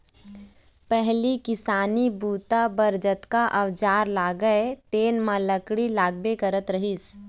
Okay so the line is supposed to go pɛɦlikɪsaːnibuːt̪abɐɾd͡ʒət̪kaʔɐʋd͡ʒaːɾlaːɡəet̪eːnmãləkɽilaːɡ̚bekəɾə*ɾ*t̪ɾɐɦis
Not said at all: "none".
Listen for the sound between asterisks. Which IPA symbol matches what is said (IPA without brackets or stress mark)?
none